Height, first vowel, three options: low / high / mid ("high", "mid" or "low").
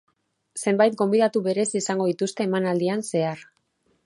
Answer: mid